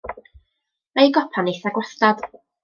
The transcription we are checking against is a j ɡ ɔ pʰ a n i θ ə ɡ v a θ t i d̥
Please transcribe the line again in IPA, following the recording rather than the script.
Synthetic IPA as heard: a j ɡ ɔ pʰ a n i θ a ɡ w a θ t a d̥